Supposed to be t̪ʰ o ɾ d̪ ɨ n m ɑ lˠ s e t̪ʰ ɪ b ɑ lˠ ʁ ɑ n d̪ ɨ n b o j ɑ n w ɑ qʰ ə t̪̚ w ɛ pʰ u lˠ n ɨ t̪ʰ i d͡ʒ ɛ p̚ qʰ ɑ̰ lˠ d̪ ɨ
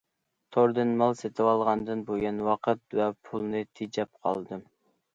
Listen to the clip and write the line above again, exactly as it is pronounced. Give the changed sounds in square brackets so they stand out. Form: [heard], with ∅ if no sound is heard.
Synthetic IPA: t̪ʰ o ɾ d̪ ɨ n m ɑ lˠ s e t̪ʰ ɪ [w] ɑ lˠ ʁ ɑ n d̪ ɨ n b o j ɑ n w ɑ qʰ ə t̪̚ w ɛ pʰ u lˠ n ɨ t̪ʰ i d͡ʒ ɛ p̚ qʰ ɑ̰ lˠ d̪ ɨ